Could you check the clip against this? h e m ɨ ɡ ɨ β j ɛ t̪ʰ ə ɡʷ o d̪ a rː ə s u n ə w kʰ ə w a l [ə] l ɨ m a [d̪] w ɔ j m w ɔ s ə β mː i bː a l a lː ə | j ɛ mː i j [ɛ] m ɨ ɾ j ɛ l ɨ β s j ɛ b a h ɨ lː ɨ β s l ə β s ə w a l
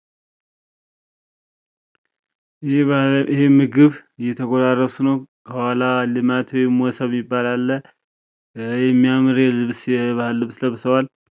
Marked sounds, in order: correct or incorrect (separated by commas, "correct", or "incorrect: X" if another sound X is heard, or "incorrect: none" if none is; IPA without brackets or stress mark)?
incorrect: a, incorrect: t̪, incorrect: a